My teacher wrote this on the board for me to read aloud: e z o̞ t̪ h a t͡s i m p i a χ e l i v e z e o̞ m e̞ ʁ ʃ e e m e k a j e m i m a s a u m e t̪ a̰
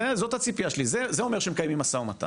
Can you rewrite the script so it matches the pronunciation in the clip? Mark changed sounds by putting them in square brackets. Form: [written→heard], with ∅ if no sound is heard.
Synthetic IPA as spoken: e z o̞ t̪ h a t͡s i [m→∅] p i a [χ→ʃ] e l i [v→z] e z e o̞ m e̞ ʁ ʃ e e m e k a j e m i m a s a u m [e→a] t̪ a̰